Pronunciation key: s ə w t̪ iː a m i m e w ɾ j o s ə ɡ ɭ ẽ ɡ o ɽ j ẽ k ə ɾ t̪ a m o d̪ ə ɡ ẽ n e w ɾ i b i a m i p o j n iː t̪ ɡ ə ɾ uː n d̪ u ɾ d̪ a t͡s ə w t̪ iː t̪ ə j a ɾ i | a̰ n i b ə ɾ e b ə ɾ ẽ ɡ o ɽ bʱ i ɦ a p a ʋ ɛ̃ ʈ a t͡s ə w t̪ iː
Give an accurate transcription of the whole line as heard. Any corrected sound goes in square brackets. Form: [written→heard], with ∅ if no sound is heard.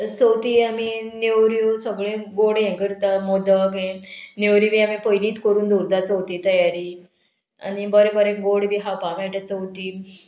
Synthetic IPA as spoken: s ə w t̪ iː a m i [m→n] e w ɾ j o s ə ɡ ɭ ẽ ɡ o ɽ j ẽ k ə ɾ t̪ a m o d̪ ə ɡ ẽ n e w ɾ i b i a m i p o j n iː t̪ [ɡ→k] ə ɾ uː n d̪ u ɾ d̪ a t͡s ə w t̪ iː t̪ ə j a ɾ i | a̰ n i b ə ɾ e b ə ɾ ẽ ɡ o ɽ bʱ i ɦ a p a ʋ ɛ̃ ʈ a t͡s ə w t̪ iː